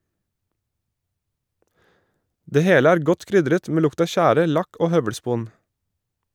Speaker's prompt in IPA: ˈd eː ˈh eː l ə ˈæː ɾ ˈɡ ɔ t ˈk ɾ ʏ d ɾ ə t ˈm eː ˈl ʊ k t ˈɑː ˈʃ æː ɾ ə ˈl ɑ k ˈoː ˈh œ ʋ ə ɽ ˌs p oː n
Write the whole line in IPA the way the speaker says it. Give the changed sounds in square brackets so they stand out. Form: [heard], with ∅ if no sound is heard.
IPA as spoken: ˈd eː ˈh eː l ə ˈæː ɾ ˈɡ ɔ t ˈk ɾ ʏ d ɾ ə t ˈm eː ˈl ʊ k t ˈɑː ˈʃ æː ɾ ə ˈl ɑ k ˈoː ˈh œ ʋ ə ɽ ˌs p [uː] n